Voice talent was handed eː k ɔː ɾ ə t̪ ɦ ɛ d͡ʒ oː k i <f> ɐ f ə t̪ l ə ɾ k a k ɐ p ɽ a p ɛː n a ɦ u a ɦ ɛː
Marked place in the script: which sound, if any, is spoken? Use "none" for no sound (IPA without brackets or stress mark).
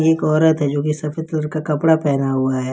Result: s